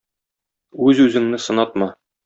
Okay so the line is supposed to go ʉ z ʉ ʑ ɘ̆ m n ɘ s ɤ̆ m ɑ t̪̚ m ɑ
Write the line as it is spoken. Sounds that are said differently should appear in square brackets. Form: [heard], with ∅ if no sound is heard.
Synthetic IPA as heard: ʉ z ʉ [z] ɘ̆ [ŋ] n ɘ s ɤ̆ [n] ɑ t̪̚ m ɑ